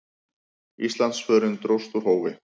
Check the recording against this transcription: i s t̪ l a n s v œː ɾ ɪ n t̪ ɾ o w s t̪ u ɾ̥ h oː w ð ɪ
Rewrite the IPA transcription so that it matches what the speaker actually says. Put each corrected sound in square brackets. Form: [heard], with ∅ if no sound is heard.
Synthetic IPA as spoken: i s t̪ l a n s [f] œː ɾ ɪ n t̪ ɾ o w s t̪ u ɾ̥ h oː w [v] ɪ